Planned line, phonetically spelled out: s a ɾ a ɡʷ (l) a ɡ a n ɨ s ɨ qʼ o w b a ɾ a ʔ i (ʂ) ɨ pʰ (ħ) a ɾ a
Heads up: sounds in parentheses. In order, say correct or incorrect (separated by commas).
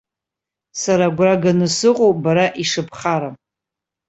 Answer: incorrect, correct, incorrect